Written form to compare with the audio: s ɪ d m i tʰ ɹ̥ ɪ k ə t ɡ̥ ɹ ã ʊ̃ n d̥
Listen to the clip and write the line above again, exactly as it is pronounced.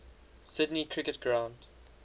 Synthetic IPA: s ɪ d n i kʰ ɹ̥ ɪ k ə t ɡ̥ ɹ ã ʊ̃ n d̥